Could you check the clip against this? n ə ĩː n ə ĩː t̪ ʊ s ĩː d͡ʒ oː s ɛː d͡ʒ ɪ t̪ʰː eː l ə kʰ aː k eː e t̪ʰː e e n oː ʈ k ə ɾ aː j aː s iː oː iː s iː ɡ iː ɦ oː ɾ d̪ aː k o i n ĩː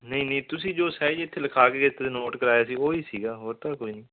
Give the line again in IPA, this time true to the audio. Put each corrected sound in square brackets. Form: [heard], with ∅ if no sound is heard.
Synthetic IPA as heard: n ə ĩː n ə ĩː t̪ ʊ s ĩː d͡ʒ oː s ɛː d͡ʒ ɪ t̪ʰː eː l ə kʰ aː k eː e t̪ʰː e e n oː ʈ k ə ɾ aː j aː s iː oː iː s iː ɡ [aː] ɦ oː ɾ [t̪] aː k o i n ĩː

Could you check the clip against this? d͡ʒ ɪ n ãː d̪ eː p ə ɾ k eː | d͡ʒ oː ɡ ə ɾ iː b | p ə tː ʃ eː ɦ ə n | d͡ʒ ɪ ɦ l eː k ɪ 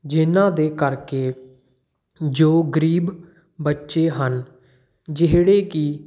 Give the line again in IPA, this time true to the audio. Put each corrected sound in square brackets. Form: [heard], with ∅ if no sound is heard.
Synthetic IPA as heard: d͡ʒ ɪ n ãː d̪ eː [k] ə ɾ k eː | d͡ʒ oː ɡ ə ɾ iː b | [b] ə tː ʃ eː ɦ ə n | d͡ʒ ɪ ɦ [ɽ] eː k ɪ

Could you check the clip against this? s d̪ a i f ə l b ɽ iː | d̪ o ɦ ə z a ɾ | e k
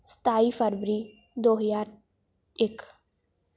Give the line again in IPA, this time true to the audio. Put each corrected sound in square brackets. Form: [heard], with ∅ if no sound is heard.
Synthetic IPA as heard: s [t̪] a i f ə [ɾ] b [ɾ] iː | d̪ o ɦ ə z a ɾ | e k

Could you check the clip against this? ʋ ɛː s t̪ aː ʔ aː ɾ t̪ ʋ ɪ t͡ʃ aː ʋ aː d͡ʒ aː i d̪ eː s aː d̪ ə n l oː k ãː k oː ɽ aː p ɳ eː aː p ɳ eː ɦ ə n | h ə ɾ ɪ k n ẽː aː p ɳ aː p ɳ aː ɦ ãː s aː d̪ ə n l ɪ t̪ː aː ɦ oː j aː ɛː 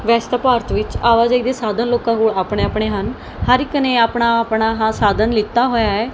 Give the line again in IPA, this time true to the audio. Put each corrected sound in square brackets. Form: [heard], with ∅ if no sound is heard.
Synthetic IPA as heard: ʋ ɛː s t̪ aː [p] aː ɾ t̪ ʋ ɪ t͡ʃ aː ʋ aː d͡ʒ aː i d̪ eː s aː d̪ ə n l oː k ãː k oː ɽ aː p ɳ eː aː p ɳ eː ɦ ə n | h ə ɾ ɪ k n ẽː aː p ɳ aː p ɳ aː ɦ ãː s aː d̪ ə n l ɪ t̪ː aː ɦ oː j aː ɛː

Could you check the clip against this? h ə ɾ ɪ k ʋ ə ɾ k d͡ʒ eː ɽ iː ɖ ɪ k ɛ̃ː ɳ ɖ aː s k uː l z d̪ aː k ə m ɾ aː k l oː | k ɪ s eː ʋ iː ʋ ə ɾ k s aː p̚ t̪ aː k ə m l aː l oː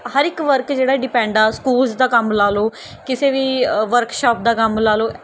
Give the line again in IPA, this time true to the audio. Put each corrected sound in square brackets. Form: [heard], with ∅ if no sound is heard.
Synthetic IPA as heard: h ə ɾ ɪ k ʋ ə ɾ k d͡ʒ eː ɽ [aː] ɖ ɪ [p] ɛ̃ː ɳ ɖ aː s k uː l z d̪ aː k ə m [l] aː [∅] l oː | k ɪ s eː ʋ iː ʋ ə ɾ k [ʃ] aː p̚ [d̪] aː k ə m l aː l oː

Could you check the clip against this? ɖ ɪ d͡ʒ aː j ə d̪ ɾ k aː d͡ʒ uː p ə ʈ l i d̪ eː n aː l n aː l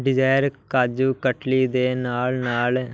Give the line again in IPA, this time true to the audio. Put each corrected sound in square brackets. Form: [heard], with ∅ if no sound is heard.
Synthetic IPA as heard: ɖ ɪ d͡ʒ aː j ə [∅] ɾ k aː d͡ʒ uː [k] ə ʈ l i d̪ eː n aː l n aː l

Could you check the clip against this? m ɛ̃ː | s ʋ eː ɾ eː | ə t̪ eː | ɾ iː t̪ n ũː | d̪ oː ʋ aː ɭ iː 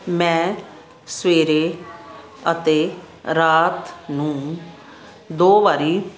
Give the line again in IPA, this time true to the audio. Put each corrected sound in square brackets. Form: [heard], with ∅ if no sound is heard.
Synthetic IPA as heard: m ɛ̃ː | s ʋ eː ɾ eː | ə t̪ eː | ɾ [aː] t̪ n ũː | d̪ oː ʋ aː [ɾ] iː

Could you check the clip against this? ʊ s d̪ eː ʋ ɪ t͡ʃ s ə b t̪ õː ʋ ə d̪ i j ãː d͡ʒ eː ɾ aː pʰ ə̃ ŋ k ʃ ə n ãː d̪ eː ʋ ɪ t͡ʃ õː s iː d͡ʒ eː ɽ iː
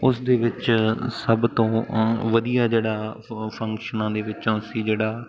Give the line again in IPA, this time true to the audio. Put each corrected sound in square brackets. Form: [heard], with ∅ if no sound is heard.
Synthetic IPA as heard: ʊ s d̪ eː ʋ ɪ t͡ʃ s ə b t̪ õː ʋ ə d̪ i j [aː] d͡ʒ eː [ɽ] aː pʰ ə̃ ŋ k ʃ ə n ãː d̪ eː ʋ ɪ t͡ʃ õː s iː d͡ʒ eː ɽ [aː]

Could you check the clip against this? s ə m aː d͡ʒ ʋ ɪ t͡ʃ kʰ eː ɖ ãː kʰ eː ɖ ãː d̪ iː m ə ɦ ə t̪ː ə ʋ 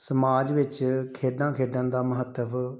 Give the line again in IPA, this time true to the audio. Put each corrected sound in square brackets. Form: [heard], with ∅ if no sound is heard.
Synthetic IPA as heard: s ə m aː d͡ʒ ʋ ɪ t͡ʃ kʰ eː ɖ ãː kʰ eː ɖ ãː d̪ [aː] m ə ɦ ə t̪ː ə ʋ

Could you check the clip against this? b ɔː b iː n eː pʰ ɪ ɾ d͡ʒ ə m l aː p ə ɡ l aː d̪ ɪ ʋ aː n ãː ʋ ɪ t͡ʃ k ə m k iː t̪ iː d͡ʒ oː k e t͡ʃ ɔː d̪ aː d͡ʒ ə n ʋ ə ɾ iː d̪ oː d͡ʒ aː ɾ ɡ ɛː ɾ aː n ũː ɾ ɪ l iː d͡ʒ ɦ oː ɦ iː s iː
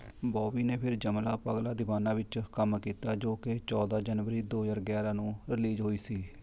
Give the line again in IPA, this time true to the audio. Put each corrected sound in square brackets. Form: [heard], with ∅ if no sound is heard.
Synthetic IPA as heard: b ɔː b iː n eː pʰ ɪ ɾ d͡ʒ ə m l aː p ə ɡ l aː d̪ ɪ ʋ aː n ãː ʋ ɪ t͡ʃ k ə m k iː t̪ [aː] d͡ʒ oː k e t͡ʃ ɔː d̪ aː d͡ʒ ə n ʋ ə ɾ iː d̪ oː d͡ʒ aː ɾ ɡ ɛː ɾ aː n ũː ɾ ɪ l iː d͡ʒ ɦ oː [∅] iː s iː

